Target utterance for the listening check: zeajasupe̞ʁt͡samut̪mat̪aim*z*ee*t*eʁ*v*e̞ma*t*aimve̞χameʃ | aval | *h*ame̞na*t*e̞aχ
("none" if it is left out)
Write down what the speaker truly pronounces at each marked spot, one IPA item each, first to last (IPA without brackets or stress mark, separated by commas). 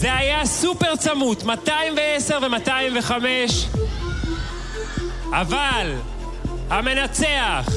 v, s, v, t, h, t͡s